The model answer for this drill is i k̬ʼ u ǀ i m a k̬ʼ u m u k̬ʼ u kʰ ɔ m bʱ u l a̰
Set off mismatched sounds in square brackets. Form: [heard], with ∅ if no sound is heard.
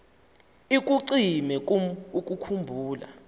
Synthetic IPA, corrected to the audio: i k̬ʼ u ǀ i m [ɛ] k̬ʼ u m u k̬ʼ u kʰ [u] m bʱ [uː] l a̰